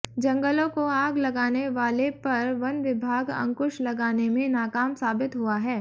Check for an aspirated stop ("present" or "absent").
absent